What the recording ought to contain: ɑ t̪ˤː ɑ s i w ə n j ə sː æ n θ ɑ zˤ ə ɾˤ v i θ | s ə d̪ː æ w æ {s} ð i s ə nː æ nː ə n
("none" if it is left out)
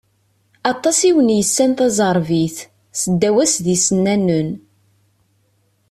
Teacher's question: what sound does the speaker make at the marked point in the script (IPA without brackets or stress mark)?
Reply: s